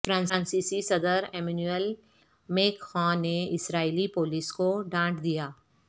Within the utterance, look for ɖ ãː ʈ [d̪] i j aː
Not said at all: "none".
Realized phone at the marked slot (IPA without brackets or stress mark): d̪